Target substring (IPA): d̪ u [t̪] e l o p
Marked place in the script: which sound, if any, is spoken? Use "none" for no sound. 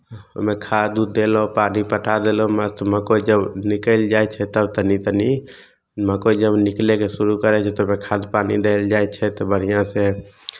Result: d̪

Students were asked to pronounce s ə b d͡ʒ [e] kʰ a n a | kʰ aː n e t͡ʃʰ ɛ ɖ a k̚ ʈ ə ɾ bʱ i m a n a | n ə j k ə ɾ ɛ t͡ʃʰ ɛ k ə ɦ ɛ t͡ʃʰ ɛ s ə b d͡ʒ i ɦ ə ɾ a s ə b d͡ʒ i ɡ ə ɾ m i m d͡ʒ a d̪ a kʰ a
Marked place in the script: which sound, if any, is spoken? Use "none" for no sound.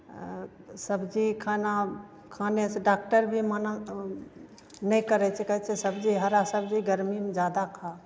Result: i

